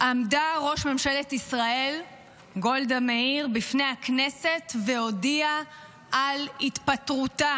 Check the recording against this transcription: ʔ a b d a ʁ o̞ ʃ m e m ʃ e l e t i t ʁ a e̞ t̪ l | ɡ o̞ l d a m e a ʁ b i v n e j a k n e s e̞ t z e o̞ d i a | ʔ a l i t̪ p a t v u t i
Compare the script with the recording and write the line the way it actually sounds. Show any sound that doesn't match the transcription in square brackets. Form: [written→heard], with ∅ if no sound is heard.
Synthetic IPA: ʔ a [b→m] d a ʁ o̞ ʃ m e m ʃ e l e t i [t→s] ʁ a e̞ [t̪→∅] l | ɡ o̞ l d a m e [a→i] ʁ b i [v→f] n e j a k n e s e̞ t [z→v] e o̞ d i a | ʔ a l i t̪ p a t [v→ʁ] u t [i→a]